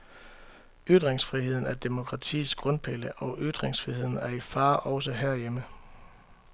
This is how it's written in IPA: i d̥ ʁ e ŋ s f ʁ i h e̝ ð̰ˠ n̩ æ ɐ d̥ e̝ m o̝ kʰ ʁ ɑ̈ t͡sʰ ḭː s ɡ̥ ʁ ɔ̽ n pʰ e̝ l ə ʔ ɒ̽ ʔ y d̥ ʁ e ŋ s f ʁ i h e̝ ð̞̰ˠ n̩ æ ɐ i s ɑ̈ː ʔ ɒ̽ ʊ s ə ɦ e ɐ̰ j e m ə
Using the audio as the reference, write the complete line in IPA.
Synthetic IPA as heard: y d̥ ʁ e ŋ s f ʁ i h e̝ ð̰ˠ n̩ æ ɐ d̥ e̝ m o̝ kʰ ʁ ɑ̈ t͡sʰ ḭː s ɡ̥ ʁ ɔ̽ n pʰ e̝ l ə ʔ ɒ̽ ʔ y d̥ ʁ e ŋ s f ʁ i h e̝ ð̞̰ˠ n̩ æ ɐ i f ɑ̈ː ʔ ɒ̽ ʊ s ə ɦ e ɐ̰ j e m ə